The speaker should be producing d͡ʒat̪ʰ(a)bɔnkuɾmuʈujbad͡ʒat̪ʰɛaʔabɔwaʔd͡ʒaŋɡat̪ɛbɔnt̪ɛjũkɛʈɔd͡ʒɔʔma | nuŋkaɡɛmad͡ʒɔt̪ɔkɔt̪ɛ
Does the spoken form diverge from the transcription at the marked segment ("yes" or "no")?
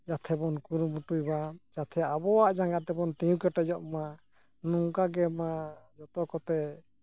yes